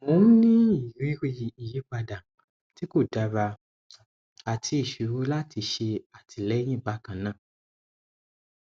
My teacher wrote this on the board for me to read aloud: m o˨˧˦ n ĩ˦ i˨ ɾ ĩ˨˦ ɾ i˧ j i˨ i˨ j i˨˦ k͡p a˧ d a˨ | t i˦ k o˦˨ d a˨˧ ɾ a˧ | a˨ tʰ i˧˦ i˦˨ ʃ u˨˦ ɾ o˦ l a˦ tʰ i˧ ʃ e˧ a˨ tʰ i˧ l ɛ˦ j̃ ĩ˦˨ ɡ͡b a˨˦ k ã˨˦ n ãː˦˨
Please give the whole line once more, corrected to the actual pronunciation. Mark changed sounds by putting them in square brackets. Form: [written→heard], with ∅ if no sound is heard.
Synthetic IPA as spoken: m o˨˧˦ n ĩ˦ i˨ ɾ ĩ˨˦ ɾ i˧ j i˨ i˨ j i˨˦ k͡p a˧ d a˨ | t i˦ k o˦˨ d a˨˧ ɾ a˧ | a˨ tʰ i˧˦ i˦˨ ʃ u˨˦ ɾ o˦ l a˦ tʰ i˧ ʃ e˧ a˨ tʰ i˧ l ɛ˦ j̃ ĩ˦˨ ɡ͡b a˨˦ k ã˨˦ n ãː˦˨